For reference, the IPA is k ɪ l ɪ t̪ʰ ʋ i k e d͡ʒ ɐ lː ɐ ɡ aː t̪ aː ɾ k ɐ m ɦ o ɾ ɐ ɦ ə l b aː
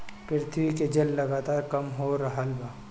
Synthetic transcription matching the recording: p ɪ ɾ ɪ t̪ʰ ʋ i k e d͡ʒ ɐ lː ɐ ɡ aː t̪ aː ɾ k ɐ m ɦ o ɾ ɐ ɦ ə l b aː